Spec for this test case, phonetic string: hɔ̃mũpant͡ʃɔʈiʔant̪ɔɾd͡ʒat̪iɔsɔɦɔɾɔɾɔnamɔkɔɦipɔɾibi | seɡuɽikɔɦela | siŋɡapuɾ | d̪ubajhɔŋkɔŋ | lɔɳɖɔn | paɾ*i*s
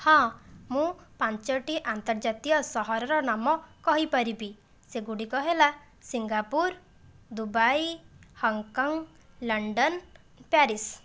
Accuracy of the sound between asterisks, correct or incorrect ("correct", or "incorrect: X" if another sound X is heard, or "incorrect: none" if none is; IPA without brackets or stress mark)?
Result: correct